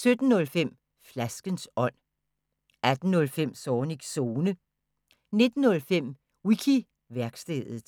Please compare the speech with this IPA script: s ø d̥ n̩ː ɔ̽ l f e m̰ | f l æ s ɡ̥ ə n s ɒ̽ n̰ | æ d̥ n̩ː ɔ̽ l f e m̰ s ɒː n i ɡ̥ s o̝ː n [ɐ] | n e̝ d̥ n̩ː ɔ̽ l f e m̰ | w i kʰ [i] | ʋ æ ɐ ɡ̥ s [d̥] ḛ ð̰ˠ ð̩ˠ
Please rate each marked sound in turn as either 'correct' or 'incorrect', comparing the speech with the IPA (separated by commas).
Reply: incorrect, correct, correct